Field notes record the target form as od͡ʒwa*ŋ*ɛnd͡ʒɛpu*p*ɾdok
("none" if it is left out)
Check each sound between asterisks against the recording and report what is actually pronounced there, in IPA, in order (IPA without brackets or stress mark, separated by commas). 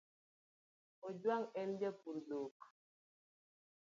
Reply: ŋ, none